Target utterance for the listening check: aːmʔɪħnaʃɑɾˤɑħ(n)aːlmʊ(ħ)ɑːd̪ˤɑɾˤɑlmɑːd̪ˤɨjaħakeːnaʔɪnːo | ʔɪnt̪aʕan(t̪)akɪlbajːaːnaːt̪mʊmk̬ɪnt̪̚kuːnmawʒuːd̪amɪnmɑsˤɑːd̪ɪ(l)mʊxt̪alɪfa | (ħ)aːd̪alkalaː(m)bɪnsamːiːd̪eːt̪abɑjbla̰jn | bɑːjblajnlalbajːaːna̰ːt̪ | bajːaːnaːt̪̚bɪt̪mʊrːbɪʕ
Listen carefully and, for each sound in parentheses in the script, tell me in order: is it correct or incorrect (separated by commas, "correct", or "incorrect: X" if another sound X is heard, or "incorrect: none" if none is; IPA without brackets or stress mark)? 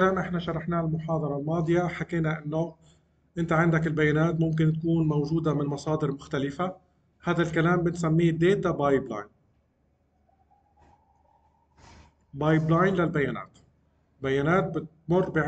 correct, correct, incorrect: d̪, incorrect: ɾ, incorrect: h, correct